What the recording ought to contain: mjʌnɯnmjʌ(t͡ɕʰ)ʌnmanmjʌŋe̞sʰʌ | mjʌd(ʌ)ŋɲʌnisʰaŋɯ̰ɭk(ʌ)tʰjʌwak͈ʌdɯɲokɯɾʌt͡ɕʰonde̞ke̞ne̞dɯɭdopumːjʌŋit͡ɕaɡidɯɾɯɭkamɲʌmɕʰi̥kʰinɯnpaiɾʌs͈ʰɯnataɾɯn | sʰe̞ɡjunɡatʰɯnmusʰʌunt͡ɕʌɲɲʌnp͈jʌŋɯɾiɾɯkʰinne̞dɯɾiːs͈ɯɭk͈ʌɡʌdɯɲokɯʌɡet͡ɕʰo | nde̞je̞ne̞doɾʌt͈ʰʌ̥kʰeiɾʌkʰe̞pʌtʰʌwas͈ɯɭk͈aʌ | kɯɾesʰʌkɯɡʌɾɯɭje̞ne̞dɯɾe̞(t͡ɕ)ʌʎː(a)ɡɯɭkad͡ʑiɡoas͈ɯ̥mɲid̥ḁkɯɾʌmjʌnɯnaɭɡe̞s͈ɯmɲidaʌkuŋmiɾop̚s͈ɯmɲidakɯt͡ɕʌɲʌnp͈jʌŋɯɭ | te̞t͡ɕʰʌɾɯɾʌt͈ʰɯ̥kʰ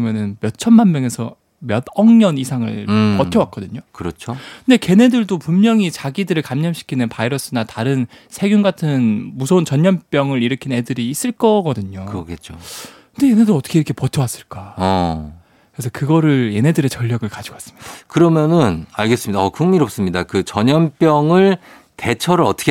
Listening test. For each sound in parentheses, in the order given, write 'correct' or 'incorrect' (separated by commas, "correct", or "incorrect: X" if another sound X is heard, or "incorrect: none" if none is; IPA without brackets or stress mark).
correct, correct, correct, correct, incorrect: ʌ